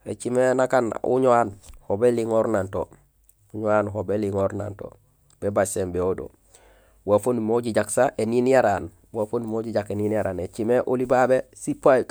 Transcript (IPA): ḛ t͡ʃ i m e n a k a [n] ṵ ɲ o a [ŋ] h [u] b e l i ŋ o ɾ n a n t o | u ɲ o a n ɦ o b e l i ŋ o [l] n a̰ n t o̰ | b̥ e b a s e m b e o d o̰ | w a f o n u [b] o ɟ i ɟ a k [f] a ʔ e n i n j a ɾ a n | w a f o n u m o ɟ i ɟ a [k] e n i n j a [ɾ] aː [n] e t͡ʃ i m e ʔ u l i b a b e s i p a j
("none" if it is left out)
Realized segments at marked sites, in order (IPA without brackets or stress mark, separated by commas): n, n, o, ɾ, m, s, k, ɾ, n